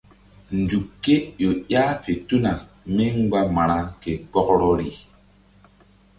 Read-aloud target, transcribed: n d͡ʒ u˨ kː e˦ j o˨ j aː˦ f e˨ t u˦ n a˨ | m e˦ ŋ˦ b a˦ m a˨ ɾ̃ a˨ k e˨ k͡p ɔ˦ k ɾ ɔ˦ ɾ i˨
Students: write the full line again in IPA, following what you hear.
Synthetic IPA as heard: n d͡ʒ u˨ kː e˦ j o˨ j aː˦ f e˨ t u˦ n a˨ | m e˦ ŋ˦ ɡ͡b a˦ m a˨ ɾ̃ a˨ k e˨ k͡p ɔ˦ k ɾ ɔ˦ ɾ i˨

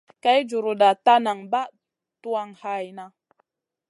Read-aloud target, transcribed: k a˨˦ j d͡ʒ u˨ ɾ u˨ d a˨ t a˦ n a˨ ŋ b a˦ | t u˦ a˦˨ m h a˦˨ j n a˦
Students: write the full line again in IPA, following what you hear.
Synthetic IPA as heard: k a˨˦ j d͡ʒ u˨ ɾ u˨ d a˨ t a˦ n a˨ ŋ b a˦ | t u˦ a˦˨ ŋ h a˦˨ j n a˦

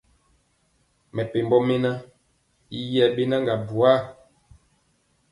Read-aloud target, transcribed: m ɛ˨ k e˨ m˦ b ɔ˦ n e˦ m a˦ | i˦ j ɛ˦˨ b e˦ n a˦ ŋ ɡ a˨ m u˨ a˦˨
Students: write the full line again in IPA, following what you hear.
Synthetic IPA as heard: m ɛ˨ p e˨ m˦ b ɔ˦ m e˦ n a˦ | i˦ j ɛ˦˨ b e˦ n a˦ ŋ ɡ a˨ b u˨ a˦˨

